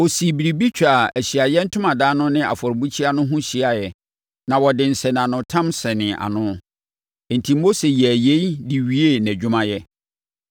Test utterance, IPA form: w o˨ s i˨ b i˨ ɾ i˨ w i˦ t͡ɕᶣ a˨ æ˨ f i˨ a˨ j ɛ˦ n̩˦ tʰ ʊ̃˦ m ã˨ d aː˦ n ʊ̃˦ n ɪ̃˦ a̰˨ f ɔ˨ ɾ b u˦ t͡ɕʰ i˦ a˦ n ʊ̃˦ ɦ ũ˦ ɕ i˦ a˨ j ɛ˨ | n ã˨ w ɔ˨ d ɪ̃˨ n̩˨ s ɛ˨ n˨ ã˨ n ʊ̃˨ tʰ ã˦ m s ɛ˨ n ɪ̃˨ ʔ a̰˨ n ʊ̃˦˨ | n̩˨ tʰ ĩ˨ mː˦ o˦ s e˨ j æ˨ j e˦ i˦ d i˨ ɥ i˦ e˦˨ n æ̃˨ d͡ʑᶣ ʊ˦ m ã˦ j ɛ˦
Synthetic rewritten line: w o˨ s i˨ b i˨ ɾ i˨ b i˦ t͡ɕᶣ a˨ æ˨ ɕ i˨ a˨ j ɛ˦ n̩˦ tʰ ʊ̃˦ m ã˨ d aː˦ n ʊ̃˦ n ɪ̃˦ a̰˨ f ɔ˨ ɾ b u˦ t͡ɕʰ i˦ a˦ n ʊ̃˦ ɦ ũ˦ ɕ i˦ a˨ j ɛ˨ | n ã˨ w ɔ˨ d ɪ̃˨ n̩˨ s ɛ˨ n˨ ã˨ n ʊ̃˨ tʰ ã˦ m s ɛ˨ n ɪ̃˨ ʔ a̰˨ n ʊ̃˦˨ | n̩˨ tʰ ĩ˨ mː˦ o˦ s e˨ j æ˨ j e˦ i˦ d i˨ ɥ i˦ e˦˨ n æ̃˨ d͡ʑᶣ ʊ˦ m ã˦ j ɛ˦